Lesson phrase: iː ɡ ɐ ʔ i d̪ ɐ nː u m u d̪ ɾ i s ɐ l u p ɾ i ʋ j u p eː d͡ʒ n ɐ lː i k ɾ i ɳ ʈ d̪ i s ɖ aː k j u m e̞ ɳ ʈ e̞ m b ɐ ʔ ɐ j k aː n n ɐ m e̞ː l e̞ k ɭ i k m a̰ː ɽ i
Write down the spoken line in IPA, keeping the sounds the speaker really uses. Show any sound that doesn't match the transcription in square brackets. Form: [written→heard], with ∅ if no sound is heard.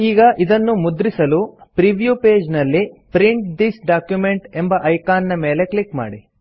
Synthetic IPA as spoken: iː ɡ ɐ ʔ i d̪ ɐ nː u m u d̪ ɾ i s ɐ l u p ɾ i ʋ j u p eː d͡ʒ n ɐ lː i [k→p] ɾ i ɳ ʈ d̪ i s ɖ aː k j u m e̞ ɳ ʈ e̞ m b ɐ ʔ ɐ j k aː n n ɐ m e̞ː l e̞ k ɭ i k m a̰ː ɽ i